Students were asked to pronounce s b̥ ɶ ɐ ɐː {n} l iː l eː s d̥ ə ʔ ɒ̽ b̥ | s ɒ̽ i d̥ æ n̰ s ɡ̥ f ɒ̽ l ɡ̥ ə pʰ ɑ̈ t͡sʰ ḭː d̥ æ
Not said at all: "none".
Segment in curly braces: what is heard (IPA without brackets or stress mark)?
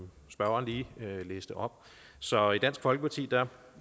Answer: n